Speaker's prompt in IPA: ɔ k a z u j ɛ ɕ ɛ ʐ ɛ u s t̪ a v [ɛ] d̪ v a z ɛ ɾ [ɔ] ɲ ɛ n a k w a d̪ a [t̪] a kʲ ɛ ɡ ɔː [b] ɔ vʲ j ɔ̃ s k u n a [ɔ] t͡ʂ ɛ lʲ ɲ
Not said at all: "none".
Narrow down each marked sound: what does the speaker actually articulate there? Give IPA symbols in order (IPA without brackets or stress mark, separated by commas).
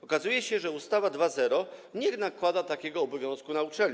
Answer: a, ɔ, t̪, b, u